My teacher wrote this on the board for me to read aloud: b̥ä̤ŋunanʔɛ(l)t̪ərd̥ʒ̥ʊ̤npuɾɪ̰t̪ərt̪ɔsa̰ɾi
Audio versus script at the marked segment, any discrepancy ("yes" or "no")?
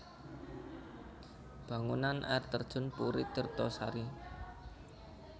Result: yes